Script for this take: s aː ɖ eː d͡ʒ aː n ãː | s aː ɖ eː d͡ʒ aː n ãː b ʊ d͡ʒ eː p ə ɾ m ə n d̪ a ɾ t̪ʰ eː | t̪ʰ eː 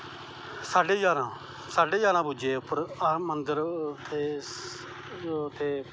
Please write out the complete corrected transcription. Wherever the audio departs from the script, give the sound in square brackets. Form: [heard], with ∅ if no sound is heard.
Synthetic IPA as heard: s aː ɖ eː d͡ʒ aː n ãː | s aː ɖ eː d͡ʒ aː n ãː b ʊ d͡ʒ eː p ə ɾ m ə n d̪ [ə] ɾ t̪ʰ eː | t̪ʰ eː